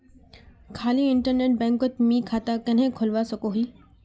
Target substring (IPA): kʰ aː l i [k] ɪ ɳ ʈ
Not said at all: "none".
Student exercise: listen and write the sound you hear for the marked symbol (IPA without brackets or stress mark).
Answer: none